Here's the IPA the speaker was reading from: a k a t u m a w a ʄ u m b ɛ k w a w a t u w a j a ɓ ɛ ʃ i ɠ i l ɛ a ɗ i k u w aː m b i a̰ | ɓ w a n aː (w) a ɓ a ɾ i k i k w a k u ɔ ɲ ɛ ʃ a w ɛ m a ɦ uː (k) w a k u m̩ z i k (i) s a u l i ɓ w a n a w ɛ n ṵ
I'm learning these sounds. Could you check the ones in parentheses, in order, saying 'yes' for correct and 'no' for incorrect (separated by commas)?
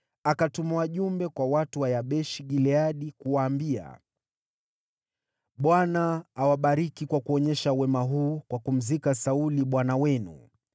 yes, yes, no